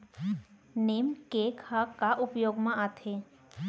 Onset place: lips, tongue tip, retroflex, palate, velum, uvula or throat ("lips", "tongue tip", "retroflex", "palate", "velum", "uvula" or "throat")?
tongue tip